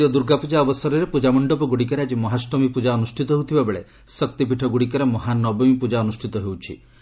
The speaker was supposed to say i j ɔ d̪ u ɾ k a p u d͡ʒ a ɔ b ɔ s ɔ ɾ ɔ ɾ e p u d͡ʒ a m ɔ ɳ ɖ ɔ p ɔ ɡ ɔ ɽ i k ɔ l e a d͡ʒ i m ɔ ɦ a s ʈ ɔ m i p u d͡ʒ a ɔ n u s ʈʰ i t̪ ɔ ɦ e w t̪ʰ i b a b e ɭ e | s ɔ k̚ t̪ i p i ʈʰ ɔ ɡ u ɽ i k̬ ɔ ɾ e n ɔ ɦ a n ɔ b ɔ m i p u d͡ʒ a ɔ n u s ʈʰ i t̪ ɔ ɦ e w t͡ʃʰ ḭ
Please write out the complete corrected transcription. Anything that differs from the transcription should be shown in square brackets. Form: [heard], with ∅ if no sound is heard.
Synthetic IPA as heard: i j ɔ d̪ u ɾ [ɡ] a p u d͡ʒ a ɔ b ɔ s ɔ ɾ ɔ ɾ e p u d͡ʒ a m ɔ ɳ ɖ ɔ p ɔ ɡ [u] ɽ i k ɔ [ɾ] e a d͡ʒ i m ɔ ɦ a s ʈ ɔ m i p u d͡ʒ a ɔ n u s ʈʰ i t̪ ɔ ɦ e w t̪ʰ i b a b e ɭ e | s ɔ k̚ t̪ i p i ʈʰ ɔ ɡ u ɽ i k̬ ɔ ɾ e [m] ɔ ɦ a n ɔ b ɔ m i p u d͡ʒ a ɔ n u s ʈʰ i t̪ ɔ ɦ e w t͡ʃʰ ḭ

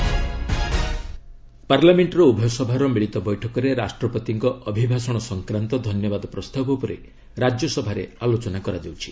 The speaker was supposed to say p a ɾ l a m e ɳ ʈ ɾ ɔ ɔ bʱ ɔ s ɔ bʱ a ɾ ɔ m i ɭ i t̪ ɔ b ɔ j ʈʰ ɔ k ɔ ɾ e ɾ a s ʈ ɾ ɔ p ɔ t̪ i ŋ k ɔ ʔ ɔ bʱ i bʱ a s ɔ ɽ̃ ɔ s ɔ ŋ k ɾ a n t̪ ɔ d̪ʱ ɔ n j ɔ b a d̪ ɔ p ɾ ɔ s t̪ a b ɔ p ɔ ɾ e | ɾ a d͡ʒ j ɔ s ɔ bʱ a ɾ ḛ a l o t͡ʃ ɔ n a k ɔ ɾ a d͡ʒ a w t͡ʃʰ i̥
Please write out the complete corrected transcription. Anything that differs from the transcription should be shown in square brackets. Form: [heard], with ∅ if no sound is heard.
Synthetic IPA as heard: p a ɾ l a m e ɳ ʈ ɾ ɔ [u] bʱ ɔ s ɔ bʱ a ɾ ɔ m i ɭ i t̪ ɔ b ɔ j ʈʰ ɔ k ɔ ɾ e ɾ a s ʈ ɾ ɔ p ɔ t̪ i ŋ k ɔ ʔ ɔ bʱ i bʱ a s ɔ ɽ̃ ɔ s ɔ ŋ k ɾ a n t̪ ɔ d̪ʱ ɔ n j ɔ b a d̪ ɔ p ɾ ɔ s t̪ a b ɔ p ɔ ɾ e | ɾ a d͡ʒ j ɔ s ɔ bʱ a ɾ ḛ a l o t͡ʃ ɔ n a k ɔ ɾ a d͡ʒ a w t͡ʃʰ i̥

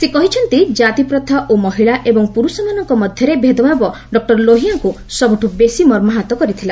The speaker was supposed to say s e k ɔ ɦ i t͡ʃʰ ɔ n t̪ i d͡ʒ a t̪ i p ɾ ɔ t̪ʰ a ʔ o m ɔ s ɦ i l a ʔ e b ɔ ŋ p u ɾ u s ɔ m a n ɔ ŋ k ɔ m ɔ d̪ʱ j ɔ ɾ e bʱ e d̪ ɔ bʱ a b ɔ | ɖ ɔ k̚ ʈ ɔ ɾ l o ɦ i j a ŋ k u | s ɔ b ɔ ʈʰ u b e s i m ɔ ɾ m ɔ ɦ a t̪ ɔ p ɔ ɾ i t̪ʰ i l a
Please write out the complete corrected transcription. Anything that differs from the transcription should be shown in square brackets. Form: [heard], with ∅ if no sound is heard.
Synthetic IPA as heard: s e k ɔ ɦ i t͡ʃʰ ɔ n t̪ i d͡ʒ a t̪ i p ɾ ɔ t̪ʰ a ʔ o m ɔ [∅] ɦ i [ɭ] a ʔ e b ɔ ŋ p u ɾ u s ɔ m a n ɔ ŋ k ɔ m ɔ d̪ʱ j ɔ ɾ e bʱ e d̪ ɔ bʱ a b ɔ | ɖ ɔ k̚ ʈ ɔ ɾ l o ɦ i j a ŋ k u | s ɔ b [u] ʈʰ u b e s i m ɔ ɾ m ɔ ɦ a t̪ ɔ [k] ɔ ɾ i t̪ʰ i l a

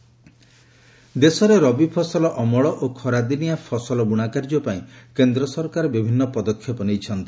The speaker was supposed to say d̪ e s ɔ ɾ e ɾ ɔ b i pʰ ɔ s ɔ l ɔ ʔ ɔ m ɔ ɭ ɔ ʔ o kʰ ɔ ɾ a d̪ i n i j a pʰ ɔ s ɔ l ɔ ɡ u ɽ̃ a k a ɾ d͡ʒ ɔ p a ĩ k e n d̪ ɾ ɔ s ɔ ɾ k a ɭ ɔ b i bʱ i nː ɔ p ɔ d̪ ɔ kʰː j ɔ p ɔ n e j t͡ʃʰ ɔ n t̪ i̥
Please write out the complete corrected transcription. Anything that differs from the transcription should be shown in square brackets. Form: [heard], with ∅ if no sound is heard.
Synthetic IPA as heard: d̪ e s ɔ ɾ e ɾ ɔ b i pʰ ɔ s ɔ l ɔ ʔ ɔ m ɔ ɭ ɔ ʔ o kʰ ɔ ɾ a d̪ i n i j a pʰ ɔ s ɔ l ɔ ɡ u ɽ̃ a k a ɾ d͡ʒ ɔ p a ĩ k e n d̪ ɾ ɔ s ɔ ɾ k a [ɾ] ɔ b i bʱ i nː ɔ p ɔ d̪ ɔ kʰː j ɔ p ɔ n e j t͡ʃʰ ɔ n t̪ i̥

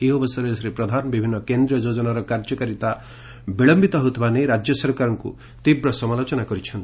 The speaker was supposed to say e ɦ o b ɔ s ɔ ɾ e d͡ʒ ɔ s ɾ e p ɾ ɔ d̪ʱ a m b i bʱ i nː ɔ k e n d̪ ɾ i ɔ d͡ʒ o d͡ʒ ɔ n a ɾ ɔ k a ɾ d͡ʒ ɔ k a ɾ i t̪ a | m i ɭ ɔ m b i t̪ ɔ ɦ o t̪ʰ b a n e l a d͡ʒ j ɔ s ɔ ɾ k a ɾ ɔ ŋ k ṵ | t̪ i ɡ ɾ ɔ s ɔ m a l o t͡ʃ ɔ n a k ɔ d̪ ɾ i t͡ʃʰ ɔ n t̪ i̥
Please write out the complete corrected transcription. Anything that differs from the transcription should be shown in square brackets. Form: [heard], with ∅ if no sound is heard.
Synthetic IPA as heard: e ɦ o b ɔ s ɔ ɾ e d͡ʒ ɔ s ɾ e p ɾ ɔ d̪ʱ a [n] b i bʱ i nː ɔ k e n d̪ ɾ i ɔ d͡ʒ o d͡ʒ ɔ n a ɾ ɔ k a ɾ d͡ʒ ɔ k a ɾ i t̪ a | [b] i ɭ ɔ m b i t̪ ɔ ɦ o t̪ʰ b a n e [ɾ] a d͡ʒ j ɔ s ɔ ɾ k a ɾ ɔ ŋ k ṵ | t̪ i [b] ɾ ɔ s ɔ m a l o t͡ʃ ɔ n a k ɔ [∅] ɾ i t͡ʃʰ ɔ n t̪ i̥

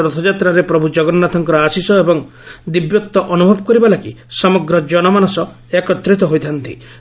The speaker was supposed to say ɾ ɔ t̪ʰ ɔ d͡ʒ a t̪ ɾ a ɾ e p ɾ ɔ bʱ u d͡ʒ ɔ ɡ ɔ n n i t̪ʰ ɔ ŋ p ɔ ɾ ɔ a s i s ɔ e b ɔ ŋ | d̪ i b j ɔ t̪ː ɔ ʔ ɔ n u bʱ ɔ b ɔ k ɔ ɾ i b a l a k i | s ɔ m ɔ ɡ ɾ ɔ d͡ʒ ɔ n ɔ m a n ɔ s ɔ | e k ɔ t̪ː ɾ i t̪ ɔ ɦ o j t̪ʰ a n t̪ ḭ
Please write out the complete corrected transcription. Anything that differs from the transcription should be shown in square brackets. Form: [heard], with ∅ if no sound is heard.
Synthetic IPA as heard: ɾ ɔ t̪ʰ ɔ d͡ʒ a t̪ ɾ a ɾ e p ɾ ɔ bʱ u d͡ʒ ɔ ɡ ɔ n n [a] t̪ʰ ɔ ŋ [k] ɔ ɾ ɔ a s i s ɔ e b ɔ ŋ | d̪ i b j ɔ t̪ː ɔ ʔ ɔ n u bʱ ɔ b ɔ k ɔ ɾ i b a l a k i | s ɔ m ɔ ɡ ɾ ɔ d͡ʒ ɔ n ɔ m a n ɔ s ɔ | e k ɔ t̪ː ɾ i t̪ ɔ ɦ o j t̪ʰ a n t̪ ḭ

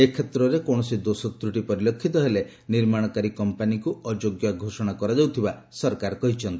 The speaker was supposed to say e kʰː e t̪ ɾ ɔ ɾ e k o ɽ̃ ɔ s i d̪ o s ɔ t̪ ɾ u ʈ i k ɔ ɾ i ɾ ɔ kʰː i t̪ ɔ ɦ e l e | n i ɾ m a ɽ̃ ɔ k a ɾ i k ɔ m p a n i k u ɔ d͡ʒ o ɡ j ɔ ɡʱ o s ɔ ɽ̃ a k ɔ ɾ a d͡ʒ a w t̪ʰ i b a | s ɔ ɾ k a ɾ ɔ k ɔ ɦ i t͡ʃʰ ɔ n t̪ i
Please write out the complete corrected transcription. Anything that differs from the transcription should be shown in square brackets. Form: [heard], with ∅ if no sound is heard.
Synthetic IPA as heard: e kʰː e t̪ ɾ ɔ ɾ e k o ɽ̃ ɔ s i d̪ o s ɔ t̪ ɾ u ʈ i [p] ɔ ɾ i [l] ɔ kʰː i t̪ ɔ ɦ e l e | n i ɾ m a ɽ̃ ɔ k a ɾ i k ɔ m p a n i k u ɔ d͡ʒ o ɡ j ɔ ɡʱ o s ɔ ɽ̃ a k ɔ ɾ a d͡ʒ a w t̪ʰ i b a | s ɔ ɾ k a ɾ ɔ k ɔ ɦ i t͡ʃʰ ɔ n t̪ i

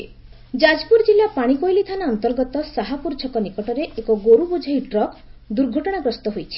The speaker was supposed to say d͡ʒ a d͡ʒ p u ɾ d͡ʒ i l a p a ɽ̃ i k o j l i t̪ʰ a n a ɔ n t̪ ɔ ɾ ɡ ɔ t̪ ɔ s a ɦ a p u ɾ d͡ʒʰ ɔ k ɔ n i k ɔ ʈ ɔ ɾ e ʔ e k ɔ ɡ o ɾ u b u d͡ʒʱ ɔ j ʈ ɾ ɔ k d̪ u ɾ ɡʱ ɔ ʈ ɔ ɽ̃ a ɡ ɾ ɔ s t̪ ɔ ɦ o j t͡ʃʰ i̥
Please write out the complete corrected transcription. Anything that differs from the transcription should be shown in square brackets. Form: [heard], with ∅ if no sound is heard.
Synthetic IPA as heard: d͡ʒ a d͡ʒ p u ɾ d͡ʒ i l a p a ɽ̃ i k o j l i t̪ʰ a n a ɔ n t̪ ɔ ɾ ɡ ɔ t̪ ɔ s a ɦ a p u ɾ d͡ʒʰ ɔ k ɔ n i k ɔ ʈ ɔ ɾ e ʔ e k ɔ ɡ o ɾ u b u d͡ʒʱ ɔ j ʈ ɾ ɔ k d̪ u ɾ ɡʱ ɔ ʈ ɔ ɽ̃ a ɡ ɾ ɔ s t̪ ɔ ɦ o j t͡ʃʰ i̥

